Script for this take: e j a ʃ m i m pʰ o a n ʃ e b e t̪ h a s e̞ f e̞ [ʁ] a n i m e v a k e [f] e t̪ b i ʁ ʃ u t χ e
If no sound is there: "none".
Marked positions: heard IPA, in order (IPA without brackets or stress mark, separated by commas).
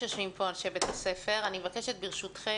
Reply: ʁ, ʃ